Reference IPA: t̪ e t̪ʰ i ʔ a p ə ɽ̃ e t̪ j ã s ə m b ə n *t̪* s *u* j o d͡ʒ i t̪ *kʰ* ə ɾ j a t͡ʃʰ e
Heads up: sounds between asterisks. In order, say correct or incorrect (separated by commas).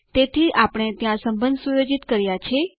incorrect, correct, incorrect